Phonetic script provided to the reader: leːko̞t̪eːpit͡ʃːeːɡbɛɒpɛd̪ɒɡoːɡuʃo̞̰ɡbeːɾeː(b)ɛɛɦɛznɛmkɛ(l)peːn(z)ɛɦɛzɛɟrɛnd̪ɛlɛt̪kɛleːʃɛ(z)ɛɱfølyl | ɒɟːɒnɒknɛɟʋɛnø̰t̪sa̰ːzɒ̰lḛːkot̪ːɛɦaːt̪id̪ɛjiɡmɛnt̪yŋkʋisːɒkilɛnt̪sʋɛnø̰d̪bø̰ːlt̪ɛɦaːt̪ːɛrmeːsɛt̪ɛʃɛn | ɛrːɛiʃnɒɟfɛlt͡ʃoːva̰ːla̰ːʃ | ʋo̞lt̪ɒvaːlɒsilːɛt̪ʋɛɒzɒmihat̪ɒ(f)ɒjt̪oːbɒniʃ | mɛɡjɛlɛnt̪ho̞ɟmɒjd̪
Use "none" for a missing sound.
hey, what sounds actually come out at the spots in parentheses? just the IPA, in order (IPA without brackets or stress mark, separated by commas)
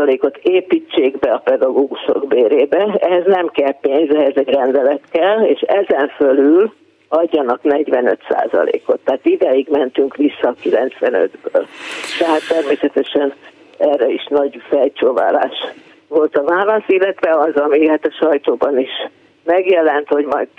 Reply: b, l, z, z, ʃ